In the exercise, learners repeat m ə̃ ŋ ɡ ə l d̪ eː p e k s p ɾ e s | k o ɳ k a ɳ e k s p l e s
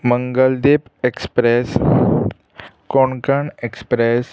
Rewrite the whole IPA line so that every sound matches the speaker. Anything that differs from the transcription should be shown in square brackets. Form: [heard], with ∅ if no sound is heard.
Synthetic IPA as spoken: m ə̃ ŋ ɡ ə l d̪ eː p e k s p ɾ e s | k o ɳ k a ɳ e k s p [ɾ] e s